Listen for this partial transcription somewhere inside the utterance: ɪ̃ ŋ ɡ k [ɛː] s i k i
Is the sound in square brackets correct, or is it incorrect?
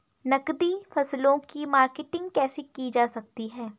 correct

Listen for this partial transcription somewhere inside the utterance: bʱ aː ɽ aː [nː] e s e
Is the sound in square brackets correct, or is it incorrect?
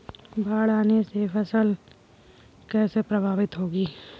incorrect: n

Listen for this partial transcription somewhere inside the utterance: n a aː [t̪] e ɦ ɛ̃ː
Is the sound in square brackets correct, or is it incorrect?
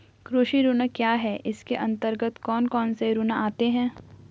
correct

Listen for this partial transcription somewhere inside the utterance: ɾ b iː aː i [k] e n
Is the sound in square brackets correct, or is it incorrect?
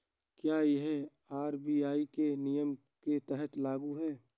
correct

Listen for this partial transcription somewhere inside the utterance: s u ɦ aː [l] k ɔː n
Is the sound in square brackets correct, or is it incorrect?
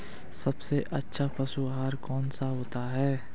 incorrect: ɾ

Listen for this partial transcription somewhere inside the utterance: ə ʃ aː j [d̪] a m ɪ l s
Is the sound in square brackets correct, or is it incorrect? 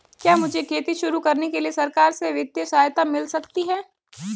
incorrect: t̪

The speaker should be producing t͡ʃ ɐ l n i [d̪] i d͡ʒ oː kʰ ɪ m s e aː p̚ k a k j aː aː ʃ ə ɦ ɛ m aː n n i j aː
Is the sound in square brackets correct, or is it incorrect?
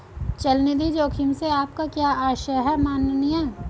correct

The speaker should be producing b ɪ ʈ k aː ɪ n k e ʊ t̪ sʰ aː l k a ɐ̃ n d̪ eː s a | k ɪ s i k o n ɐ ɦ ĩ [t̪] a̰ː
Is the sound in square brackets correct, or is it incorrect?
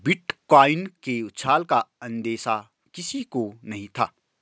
incorrect: t̪ʰ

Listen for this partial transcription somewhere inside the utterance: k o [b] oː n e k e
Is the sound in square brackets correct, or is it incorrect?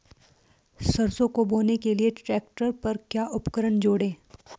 correct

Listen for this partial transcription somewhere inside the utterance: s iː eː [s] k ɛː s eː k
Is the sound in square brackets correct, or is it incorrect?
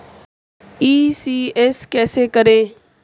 correct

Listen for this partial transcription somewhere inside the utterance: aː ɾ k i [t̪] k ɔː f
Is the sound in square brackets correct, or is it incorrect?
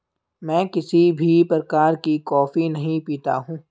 incorrect: none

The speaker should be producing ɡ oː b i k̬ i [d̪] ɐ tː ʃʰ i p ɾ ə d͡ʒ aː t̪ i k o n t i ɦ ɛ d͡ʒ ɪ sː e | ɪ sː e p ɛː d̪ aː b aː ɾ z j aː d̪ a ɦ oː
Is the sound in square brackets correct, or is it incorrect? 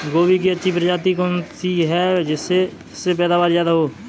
incorrect: none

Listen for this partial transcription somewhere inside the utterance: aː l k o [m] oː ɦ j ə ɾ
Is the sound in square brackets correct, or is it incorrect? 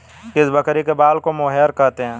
correct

